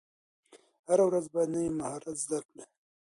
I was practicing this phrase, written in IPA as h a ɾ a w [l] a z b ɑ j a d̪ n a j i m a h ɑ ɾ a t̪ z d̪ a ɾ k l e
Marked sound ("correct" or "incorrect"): incorrect